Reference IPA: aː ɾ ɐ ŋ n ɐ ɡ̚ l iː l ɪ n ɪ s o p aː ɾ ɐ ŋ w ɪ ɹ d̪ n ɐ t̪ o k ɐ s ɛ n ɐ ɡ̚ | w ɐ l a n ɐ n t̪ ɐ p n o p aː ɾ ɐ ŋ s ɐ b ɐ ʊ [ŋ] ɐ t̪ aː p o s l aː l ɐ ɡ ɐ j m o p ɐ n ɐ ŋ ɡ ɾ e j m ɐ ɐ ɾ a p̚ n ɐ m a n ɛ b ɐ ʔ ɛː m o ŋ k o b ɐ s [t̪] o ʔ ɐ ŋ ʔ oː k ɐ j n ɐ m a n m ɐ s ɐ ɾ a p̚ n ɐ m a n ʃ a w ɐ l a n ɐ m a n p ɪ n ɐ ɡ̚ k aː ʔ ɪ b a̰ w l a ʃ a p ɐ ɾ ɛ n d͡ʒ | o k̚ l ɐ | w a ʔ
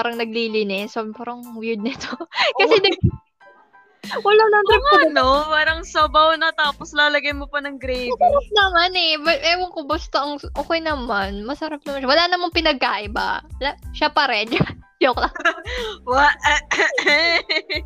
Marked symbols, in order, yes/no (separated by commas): no, yes